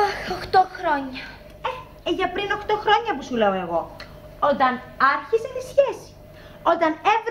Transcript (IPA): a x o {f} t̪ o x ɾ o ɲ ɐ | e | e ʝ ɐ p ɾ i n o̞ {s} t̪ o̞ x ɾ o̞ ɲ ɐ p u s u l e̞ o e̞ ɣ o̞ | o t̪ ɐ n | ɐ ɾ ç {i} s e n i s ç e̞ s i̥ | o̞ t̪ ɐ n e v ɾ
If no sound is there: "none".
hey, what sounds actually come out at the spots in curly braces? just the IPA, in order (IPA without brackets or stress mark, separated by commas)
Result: x, x, i